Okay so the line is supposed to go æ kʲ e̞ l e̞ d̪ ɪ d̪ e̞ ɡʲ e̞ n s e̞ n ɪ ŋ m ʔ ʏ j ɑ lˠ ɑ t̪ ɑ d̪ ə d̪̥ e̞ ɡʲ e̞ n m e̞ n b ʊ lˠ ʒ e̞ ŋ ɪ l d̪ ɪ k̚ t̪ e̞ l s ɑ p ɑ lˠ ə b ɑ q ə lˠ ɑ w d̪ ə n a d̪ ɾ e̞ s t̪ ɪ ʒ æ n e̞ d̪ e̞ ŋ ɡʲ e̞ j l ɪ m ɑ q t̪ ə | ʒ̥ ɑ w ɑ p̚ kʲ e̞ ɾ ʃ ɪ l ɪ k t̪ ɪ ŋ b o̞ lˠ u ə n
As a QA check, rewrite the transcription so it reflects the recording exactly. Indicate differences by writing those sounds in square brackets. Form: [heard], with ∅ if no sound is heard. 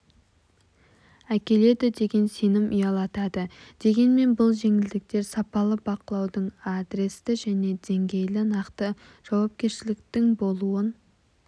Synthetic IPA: æ kʲ e̞ l e̞ d̪ ɪ d̪ e̞ ɡʲ e̞ n s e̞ n ɪ [∅] m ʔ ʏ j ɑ lˠ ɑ t̪ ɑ d̪ ə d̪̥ e̞ ɡʲ e̞ n m e̞ n b ʊ lˠ ʒ e̞ ŋ ɪ l d̪ ɪ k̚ t̪ e̞ [ɾ] s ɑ p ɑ lˠ ə b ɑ q ə lˠ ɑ w d̪ ə [ɴ] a d̪ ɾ e̞ s t̪ ɪ ʒ æ n e̞ d̪ e̞ ŋ ɡʲ e̞ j l ɪ [n] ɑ q t̪ ə | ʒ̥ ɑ w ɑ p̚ kʲ e̞ ɾ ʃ ɪ l ɪ k t̪ ɪ ŋ b o̞ lˠ u ə n